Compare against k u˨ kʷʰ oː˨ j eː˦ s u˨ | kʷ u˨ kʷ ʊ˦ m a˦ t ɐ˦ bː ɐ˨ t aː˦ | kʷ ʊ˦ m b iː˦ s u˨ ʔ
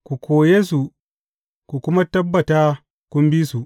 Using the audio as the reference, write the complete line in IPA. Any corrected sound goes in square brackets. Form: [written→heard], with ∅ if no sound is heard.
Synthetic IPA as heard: k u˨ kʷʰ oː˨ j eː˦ s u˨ | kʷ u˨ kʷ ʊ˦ m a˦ t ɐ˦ bː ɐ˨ t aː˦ | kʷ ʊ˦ m b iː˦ s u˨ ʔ